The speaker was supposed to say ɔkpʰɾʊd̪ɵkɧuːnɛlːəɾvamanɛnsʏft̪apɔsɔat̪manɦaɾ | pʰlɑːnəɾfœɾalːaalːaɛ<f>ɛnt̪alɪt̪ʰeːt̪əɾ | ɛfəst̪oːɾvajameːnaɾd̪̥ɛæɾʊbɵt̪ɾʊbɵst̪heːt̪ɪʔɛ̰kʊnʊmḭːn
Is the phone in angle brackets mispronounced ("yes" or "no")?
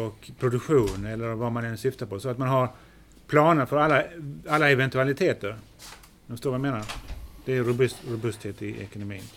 yes